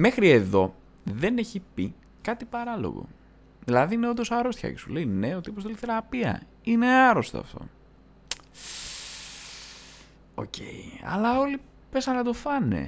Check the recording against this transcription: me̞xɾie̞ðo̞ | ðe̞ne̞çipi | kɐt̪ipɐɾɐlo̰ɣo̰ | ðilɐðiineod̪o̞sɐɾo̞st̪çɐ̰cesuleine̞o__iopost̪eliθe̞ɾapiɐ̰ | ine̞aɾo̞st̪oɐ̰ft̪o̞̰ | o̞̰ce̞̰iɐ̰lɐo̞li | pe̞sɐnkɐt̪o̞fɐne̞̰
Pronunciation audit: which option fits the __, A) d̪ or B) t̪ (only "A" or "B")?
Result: B